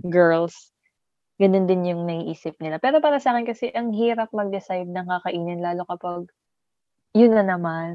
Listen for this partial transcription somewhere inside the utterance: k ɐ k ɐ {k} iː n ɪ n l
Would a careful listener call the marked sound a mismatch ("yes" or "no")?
yes